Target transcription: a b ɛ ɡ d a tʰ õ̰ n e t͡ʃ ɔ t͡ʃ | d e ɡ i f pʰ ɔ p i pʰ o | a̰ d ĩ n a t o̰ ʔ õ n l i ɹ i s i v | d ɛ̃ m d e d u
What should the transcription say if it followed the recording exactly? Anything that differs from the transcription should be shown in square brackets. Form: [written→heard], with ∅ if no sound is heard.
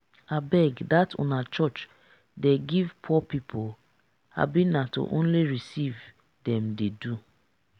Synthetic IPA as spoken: a b ɛ ɡ d a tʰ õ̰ n [e→a] t͡ʃ ɔ t͡ʃ | d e ɡ i [f→v] pʰ ɔ p i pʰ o | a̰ [d→b] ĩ n a t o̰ ʔ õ n l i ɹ i s i v | d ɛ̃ m d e d u